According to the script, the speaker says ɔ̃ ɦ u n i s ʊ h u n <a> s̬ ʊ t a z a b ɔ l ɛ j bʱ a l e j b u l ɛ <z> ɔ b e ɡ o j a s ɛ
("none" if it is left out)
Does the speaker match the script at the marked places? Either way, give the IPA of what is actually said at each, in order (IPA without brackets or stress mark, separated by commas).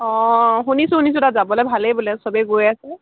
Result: i, s